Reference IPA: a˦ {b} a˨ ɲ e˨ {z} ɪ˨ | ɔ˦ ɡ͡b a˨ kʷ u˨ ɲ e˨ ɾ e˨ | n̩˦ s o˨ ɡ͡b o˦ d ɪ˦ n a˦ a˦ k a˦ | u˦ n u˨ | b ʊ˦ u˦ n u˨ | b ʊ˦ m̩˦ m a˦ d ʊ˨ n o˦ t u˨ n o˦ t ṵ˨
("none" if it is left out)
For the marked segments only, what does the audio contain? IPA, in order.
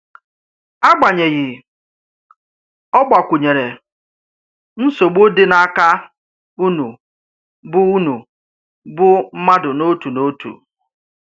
ɡ͡b, ɣ

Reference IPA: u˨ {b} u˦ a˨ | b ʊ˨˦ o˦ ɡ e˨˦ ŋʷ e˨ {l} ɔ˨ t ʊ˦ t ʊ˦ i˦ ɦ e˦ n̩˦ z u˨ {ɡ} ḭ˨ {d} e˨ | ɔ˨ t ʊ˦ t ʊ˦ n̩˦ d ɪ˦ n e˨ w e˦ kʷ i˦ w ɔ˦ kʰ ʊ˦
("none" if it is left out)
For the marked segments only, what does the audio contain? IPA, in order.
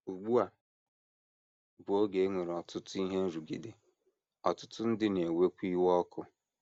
ɡ͡b, ɾ, ɡ, d

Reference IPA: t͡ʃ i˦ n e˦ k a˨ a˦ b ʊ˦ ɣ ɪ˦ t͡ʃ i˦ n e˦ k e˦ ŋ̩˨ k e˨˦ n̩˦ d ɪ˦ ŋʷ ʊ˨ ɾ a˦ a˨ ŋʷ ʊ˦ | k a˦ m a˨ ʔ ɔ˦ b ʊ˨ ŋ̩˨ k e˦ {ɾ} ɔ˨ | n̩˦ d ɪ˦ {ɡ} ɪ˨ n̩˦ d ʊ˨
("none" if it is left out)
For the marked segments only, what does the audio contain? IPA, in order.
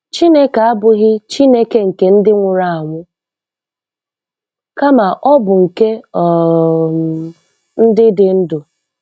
none, d

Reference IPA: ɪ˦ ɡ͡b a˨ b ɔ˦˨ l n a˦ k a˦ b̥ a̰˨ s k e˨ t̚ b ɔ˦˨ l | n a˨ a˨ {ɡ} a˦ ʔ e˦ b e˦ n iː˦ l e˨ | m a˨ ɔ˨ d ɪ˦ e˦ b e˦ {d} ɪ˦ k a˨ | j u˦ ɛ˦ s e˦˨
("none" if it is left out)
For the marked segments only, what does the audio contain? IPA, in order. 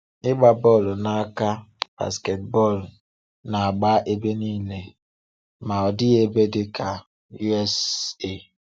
ɡ͡b, d

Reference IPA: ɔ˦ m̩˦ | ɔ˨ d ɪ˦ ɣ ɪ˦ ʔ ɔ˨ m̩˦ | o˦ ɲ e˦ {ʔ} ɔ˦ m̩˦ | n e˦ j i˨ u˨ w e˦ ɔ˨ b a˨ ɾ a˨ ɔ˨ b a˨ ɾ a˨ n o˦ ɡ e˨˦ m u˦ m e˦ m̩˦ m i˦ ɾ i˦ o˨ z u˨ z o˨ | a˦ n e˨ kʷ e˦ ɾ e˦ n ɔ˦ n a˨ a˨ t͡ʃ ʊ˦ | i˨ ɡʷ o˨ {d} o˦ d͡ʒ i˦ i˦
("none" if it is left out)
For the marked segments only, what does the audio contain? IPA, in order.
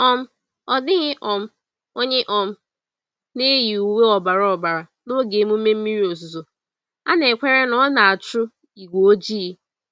ʔ, none

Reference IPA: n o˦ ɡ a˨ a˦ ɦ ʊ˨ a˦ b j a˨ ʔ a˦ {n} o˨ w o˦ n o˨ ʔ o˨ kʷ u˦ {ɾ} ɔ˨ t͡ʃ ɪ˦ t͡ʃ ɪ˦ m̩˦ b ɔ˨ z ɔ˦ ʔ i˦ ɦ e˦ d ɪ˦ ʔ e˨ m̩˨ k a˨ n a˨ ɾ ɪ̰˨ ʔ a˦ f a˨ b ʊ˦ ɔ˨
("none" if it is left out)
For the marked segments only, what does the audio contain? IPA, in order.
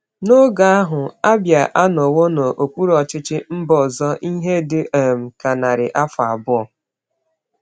n, ɾ

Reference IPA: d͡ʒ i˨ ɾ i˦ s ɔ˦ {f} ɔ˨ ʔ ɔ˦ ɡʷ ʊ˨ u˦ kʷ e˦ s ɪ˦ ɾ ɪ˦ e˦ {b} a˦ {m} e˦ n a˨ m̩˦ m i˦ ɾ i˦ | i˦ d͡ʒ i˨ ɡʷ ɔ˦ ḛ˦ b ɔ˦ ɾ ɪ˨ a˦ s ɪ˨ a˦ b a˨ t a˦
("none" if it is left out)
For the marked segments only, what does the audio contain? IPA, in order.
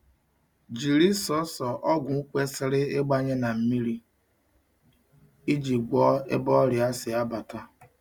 s, ɡ͡b, ɲ

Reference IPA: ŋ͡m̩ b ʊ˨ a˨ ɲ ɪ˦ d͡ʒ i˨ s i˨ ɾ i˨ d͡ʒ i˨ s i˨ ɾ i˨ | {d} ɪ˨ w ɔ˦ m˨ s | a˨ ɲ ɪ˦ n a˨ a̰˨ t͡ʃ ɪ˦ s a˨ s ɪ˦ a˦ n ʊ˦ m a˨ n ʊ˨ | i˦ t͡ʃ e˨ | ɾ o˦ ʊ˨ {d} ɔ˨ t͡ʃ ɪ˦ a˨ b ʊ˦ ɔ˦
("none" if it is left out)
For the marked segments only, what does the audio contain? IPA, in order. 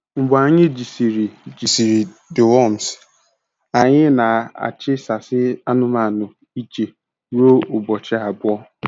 d, b

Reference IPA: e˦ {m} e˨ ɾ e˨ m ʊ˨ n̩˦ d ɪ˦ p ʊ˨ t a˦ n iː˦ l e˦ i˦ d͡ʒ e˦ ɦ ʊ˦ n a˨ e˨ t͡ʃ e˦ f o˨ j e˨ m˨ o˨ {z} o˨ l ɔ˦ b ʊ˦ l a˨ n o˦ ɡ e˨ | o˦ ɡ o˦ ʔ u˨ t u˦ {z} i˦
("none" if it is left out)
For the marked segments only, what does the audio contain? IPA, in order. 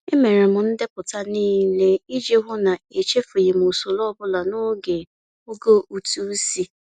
m, s, s

